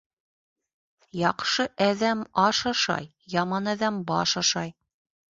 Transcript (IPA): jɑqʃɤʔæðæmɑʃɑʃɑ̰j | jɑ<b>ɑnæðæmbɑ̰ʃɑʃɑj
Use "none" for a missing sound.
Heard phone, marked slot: m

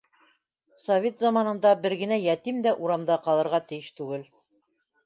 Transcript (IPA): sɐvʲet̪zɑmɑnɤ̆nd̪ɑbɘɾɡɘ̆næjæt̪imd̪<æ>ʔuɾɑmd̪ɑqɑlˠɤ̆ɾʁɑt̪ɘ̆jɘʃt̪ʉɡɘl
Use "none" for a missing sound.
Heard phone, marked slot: æ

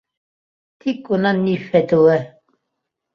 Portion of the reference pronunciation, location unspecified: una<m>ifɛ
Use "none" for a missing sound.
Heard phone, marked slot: n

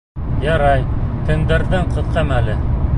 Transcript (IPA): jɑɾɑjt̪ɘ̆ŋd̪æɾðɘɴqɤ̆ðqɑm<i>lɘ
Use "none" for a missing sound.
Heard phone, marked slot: æ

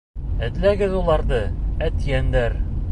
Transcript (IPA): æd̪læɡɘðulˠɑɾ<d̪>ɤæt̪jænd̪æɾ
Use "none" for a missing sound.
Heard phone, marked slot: d̪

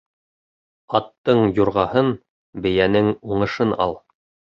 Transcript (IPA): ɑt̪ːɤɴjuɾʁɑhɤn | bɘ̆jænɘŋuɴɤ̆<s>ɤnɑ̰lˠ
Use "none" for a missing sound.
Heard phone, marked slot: ʃ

